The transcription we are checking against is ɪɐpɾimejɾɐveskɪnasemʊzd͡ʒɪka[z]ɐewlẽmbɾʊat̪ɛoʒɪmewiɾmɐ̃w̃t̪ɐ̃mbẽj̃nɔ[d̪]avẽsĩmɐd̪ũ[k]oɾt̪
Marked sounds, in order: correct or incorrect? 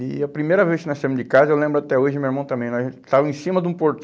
correct, incorrect: t̪, incorrect: p

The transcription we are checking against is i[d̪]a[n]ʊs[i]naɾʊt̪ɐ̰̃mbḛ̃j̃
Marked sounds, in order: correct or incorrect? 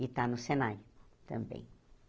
incorrect: t̪, correct, incorrect: e

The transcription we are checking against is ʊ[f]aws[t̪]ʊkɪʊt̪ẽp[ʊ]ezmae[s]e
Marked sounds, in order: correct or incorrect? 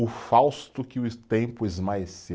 correct, correct, correct, correct

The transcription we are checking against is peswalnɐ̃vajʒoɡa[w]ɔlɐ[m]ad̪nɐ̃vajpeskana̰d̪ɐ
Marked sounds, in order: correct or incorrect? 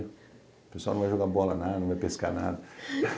incorrect: b, incorrect: n

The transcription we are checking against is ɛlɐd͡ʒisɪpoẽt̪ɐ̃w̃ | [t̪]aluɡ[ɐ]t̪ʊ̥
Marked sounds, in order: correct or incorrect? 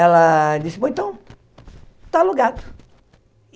correct, incorrect: a

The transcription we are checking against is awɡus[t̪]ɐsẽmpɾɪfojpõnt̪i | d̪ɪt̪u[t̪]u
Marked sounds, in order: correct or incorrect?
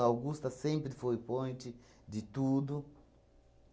correct, incorrect: d̪

